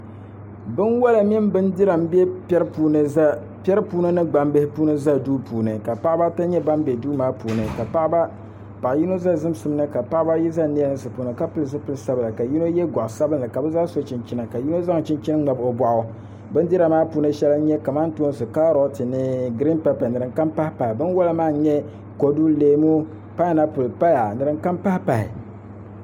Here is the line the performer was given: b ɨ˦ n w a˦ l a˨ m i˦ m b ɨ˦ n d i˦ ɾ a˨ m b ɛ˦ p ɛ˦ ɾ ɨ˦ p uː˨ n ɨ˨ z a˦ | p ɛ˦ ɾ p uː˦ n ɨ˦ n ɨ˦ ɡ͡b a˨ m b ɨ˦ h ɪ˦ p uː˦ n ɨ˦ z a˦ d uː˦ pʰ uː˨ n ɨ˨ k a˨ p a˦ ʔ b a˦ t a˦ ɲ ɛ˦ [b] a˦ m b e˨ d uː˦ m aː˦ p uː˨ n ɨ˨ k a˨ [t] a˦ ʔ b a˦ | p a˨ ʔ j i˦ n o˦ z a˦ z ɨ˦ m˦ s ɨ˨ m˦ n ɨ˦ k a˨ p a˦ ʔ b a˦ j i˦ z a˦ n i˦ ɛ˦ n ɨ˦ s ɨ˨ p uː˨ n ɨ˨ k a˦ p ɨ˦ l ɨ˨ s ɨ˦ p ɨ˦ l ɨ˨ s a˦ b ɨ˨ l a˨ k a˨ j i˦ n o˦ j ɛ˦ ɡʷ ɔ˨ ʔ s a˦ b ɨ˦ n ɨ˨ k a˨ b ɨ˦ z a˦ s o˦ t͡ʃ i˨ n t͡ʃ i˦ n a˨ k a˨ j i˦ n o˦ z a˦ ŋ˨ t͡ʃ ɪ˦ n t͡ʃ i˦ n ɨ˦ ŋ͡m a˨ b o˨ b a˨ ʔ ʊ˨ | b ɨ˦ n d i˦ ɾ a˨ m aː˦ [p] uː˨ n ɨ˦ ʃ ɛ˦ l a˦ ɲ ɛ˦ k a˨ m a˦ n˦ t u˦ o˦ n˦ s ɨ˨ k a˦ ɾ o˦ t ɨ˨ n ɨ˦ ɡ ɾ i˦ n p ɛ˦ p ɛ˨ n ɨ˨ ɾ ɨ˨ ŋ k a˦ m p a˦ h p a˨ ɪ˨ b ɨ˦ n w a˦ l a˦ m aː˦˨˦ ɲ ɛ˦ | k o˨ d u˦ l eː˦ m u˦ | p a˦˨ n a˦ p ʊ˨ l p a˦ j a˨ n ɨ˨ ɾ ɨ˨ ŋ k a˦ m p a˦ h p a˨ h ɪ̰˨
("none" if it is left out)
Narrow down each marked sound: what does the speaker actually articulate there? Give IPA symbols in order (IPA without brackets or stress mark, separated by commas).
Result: b, p, p